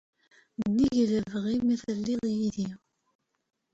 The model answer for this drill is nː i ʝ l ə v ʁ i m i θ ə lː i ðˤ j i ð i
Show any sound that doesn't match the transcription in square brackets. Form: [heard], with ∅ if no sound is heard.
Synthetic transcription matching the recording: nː i ʝ l ə v ʁ i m i θ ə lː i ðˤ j i ð i